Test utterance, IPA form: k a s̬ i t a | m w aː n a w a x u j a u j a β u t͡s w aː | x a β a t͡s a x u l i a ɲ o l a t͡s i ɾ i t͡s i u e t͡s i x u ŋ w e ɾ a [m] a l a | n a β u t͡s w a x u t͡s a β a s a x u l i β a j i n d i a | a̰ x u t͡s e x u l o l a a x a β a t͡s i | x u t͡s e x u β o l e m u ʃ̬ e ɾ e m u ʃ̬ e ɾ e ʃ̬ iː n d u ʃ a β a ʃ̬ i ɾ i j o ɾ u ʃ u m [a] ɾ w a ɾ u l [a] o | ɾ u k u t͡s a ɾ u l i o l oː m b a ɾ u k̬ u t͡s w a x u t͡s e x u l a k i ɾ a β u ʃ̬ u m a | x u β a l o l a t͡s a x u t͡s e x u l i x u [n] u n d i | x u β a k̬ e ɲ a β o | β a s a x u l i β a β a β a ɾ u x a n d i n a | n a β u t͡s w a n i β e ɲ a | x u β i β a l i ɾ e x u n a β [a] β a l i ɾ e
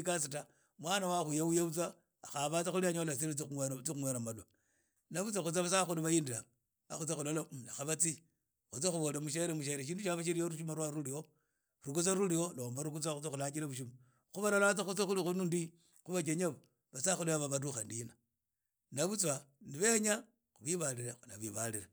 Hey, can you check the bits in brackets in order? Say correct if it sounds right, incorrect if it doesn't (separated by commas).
correct, correct, incorrect, correct, incorrect